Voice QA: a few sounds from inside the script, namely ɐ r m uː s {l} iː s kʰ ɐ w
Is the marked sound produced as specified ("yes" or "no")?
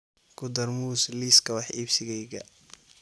yes